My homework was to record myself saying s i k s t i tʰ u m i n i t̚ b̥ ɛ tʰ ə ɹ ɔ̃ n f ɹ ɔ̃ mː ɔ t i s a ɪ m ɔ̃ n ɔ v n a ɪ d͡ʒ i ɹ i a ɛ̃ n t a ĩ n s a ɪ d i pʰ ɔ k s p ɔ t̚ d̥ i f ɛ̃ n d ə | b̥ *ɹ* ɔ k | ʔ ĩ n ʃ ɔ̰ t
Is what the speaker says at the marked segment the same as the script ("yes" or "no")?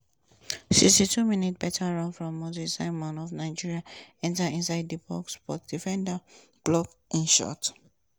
no